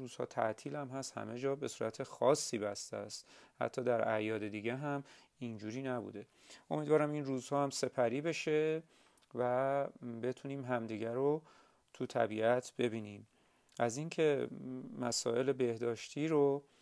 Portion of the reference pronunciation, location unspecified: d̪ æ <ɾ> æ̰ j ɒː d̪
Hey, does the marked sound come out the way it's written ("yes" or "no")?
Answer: yes